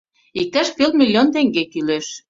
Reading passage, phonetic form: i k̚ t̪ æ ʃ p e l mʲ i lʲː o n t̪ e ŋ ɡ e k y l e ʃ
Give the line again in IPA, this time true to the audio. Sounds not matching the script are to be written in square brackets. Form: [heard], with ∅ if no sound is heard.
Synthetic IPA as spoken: i k̚ t̪ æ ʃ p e l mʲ i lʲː o n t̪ e ŋ ɡ e k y l e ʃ